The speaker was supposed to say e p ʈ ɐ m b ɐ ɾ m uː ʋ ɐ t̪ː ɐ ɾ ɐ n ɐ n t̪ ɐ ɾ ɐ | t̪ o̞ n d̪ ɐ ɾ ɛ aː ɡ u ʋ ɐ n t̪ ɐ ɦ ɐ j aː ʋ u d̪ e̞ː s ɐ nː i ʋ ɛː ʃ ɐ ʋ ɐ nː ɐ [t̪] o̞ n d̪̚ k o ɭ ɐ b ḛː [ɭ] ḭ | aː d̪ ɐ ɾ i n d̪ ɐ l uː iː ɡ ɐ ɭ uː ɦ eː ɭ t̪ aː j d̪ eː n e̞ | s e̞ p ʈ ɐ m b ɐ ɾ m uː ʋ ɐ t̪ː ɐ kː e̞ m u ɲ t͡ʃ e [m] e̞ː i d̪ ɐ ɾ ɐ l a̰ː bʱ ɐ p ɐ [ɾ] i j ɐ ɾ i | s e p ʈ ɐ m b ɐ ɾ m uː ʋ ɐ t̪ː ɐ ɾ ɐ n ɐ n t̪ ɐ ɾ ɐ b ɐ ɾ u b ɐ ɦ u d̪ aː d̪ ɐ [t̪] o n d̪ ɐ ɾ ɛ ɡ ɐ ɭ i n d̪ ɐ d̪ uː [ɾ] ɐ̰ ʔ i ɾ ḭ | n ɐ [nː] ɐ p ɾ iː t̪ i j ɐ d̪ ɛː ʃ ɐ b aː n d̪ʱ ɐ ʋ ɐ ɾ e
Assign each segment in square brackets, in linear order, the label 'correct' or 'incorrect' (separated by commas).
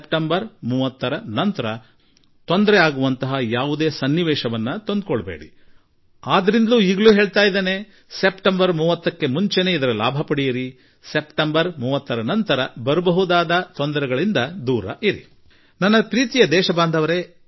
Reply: correct, incorrect, incorrect, incorrect, correct, correct, correct